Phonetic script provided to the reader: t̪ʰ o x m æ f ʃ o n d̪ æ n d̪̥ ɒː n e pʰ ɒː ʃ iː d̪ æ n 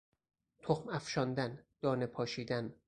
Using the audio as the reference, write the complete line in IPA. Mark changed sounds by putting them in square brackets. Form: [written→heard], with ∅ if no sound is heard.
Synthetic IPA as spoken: t̪ʰ o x m æ f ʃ [o→ɒ] n d̪ æ n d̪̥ ɒː n e pʰ ɒː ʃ iː d̪ æ n